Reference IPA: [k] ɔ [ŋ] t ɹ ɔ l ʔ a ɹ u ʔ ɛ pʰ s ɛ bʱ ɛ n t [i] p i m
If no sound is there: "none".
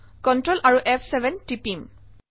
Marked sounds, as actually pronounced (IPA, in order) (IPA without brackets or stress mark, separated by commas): k, n, i